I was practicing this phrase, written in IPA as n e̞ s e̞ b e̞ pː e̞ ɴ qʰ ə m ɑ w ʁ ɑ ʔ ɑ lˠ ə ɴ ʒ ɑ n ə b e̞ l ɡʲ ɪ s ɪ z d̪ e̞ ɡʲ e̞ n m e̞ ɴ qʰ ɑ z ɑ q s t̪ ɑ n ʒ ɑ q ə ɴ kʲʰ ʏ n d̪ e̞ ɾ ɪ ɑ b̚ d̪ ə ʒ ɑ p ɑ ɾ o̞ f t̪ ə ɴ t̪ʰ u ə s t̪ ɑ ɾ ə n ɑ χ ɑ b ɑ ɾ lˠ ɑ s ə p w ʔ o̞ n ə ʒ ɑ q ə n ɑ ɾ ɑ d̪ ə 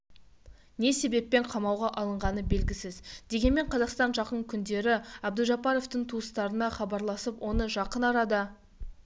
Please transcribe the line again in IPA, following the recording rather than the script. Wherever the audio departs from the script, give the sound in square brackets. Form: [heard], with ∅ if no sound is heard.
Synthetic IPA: n e̞ s e̞ b e̞ pː e̞ ɴ qʰ [ɑ] m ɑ w ʁ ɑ ʔ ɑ lˠ ə ɴ [ʁ] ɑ n ə b e̞ l ɡʲ ɪ s ɪ z d̪ e̞ ɡʲ e̞ n m e̞ ɴ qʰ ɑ z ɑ q s t̪ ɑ n ʒ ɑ q ə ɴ kʲʰ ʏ n d̪ e̞ ɾ ɪ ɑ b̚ d̪ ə ʒ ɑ p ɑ ɾ o̞ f t̪ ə ɴ t̪ʰ u ə s t̪ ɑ ɾ ə n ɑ χ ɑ b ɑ ɾ lˠ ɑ s ə p w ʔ o̞ n ə ʒ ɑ q ə n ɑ ɾ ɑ d̪ ə